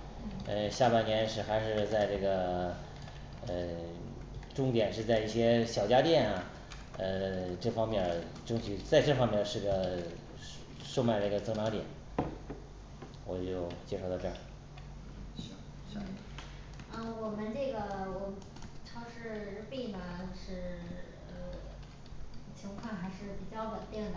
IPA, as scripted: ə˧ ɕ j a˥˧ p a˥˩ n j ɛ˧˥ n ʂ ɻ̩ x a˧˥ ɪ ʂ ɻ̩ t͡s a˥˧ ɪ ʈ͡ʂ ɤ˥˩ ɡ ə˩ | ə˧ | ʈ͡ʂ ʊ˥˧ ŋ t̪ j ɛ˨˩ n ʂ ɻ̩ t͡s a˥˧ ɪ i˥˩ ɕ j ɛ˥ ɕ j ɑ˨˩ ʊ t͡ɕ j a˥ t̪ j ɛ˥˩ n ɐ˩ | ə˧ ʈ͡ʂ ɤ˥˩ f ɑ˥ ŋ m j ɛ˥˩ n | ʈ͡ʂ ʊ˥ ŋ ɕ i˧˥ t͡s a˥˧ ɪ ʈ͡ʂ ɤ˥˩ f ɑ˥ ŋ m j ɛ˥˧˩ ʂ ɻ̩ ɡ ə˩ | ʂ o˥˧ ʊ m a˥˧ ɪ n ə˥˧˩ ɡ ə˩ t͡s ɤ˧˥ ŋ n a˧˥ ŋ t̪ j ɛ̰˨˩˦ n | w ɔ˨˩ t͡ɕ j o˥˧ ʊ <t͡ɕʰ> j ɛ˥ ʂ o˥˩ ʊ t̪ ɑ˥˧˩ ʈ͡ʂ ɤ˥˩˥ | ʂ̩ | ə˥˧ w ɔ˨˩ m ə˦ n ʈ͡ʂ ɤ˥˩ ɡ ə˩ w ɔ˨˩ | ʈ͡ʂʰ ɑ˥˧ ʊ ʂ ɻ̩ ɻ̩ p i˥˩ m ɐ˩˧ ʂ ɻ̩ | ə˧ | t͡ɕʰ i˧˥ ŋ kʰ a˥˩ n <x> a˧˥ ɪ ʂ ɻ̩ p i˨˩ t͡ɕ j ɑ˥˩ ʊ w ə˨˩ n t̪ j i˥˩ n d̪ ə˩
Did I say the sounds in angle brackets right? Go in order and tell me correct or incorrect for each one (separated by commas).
incorrect, correct